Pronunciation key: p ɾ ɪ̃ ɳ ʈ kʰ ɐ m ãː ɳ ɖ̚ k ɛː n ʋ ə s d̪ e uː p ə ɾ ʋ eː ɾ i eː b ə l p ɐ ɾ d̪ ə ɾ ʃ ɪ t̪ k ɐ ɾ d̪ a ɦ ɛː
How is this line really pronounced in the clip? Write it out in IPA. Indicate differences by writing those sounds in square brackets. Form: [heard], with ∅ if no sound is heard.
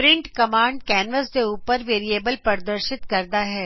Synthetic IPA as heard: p ɾ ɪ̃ ɳ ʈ [k] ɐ m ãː ɳ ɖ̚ k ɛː n ʋ ə s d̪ e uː p ə ɾ ʋ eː ɾ i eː b ə l p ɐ ɾ d̪ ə ɾ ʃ ɪ t̪ k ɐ ɾ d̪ a ɦ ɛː